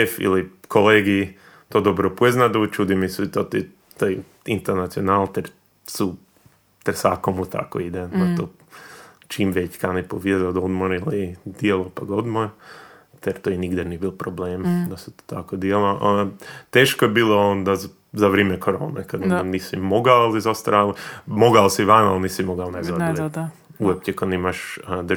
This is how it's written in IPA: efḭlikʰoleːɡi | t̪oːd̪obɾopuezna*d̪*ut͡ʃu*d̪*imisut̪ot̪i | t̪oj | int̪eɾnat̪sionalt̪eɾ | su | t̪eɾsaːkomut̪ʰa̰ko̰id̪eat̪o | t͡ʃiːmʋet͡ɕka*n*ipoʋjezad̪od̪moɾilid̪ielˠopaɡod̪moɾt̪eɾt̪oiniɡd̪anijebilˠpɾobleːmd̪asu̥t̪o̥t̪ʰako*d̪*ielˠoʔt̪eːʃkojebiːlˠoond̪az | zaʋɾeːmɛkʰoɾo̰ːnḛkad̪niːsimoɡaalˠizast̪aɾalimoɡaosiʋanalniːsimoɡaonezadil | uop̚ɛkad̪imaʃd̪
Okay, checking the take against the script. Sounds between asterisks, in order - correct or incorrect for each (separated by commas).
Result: correct, correct, correct, correct